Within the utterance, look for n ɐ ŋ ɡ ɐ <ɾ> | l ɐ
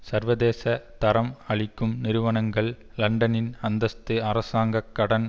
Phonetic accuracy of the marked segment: incorrect: ɭ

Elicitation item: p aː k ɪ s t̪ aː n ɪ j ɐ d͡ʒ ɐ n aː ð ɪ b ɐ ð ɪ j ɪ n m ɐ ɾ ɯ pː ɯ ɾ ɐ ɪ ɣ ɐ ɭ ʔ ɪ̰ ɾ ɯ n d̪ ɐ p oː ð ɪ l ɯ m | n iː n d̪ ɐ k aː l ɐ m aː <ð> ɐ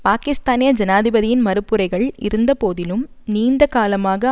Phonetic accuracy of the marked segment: incorrect: ɣ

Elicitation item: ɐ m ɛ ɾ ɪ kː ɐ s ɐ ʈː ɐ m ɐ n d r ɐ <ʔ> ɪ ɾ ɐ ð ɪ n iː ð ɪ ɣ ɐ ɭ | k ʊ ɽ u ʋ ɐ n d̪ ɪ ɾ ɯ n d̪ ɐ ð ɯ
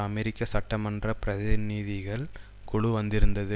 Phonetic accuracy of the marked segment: incorrect: p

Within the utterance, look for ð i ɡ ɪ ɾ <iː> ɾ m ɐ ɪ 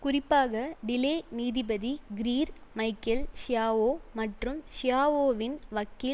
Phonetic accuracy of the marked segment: correct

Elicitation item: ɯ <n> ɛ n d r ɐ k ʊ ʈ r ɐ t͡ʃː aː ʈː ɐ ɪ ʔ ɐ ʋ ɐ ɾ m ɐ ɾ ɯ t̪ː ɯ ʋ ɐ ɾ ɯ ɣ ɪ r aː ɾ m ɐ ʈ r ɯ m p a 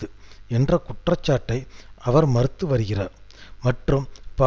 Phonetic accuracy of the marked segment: incorrect: none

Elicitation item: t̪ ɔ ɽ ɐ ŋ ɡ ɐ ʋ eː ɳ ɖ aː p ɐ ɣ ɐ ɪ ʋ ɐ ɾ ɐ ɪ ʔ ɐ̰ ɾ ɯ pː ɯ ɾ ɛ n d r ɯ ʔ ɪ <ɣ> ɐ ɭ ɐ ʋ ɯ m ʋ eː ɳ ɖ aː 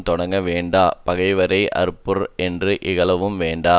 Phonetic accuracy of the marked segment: correct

